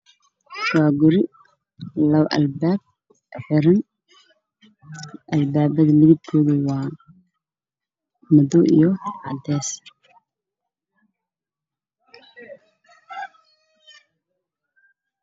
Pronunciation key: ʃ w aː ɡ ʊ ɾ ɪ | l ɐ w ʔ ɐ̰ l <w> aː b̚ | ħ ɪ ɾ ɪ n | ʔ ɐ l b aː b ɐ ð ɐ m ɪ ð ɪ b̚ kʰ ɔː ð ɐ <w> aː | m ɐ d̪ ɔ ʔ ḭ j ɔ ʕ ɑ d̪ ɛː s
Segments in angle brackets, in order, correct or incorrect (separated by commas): incorrect, correct